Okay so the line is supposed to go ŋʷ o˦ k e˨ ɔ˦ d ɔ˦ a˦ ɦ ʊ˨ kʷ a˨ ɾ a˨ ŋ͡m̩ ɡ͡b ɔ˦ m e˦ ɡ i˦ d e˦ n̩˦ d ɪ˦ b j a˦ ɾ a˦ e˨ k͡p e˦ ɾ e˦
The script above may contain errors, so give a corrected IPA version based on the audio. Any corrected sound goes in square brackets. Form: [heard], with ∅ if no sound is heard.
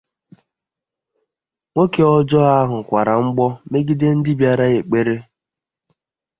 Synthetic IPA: ŋʷ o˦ k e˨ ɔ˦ [d͡ʒ] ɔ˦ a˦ ɦ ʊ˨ kʷ a˨ ɾ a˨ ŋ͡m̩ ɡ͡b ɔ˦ m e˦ ɡ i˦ d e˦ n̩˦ d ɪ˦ b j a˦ ɾ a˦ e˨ k͡p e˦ ɾ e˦